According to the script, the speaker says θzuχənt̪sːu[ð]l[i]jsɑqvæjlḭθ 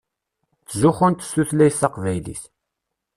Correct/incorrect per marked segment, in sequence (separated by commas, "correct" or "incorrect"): incorrect, incorrect